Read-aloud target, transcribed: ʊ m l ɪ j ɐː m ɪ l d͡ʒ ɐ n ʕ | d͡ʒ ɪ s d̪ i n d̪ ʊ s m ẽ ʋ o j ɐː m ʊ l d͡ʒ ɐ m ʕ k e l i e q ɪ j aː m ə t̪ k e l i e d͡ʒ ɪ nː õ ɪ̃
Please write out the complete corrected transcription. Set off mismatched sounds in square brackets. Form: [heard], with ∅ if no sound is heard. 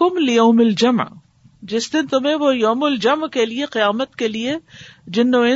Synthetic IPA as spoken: ʊ m l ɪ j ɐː m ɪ l d͡ʒ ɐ [m] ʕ | d͡ʒ ɪ s d̪ [ɪ] n [t̪] ʊ [∅] m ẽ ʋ o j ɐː m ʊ l d͡ʒ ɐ m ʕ k e l i e q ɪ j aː m ə t̪ k e l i e d͡ʒ ɪ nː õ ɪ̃